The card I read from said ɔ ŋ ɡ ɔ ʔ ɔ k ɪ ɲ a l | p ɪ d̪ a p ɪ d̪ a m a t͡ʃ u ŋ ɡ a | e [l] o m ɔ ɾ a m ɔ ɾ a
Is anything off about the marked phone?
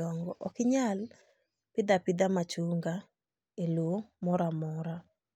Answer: no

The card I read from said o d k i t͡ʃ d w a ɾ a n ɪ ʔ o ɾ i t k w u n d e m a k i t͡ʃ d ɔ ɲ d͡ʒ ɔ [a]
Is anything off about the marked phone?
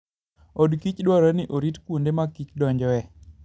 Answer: yes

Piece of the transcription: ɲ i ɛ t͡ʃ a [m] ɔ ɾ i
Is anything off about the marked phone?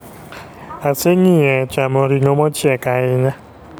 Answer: no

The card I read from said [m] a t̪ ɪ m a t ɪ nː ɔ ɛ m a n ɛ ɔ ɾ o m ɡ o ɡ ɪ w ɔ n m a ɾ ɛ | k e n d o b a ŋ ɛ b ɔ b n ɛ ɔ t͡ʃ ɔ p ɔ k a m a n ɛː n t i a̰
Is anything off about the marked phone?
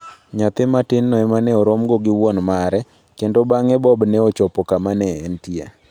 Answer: yes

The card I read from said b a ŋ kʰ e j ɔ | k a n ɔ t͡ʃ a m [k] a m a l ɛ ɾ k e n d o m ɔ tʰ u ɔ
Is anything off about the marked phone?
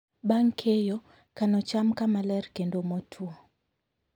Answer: no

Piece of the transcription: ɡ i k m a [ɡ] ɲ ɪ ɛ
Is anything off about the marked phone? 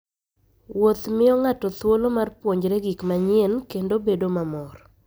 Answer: yes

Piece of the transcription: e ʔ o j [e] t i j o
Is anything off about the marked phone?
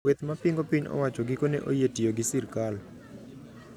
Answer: no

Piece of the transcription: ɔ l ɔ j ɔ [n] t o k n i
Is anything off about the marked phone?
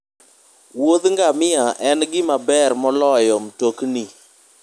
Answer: yes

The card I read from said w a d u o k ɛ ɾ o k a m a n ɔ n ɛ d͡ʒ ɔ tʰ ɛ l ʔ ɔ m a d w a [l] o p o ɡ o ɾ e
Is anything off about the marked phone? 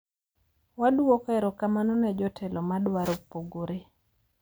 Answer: yes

